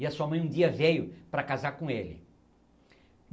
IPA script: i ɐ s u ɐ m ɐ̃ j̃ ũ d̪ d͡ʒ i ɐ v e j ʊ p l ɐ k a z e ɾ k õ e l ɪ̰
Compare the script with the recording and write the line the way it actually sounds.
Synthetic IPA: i ɐ s u ɐ m ɐ̃ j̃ ũ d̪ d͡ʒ i ɐ v e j ʊ p ɾ ɐ k a z a ɾ k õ e l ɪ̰